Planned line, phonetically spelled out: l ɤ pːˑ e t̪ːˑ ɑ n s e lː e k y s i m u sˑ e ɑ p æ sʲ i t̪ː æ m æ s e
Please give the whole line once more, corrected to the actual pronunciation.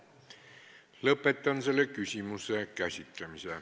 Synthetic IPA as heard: l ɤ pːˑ e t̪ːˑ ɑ n s e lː e k y s i m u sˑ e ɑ k æ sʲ i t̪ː æ m i s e